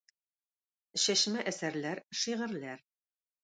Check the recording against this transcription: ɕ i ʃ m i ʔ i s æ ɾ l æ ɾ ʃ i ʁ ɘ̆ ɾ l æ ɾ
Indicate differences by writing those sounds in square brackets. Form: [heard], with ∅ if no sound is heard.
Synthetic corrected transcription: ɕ [æ] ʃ m [æ] ʔ [æ] s æ ɾ l æ ɾ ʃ i ʁ ɘ̆ ɾ l æ ɾ